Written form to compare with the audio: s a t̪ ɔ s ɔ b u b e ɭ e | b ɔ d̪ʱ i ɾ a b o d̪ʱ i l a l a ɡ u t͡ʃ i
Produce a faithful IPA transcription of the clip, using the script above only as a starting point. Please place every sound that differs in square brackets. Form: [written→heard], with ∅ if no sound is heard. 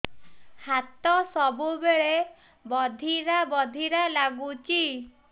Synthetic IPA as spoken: [s→h] a t̪ ɔ s ɔ b u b e ɭ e | b ɔ d̪ʱ i ɾ a b [o→ɔ] d̪ʱ i [l→ɾ] a l a ɡ u t͡ʃ i